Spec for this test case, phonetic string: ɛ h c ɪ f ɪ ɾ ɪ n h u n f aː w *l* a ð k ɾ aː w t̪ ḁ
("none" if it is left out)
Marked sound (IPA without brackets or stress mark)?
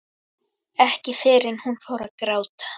ɾ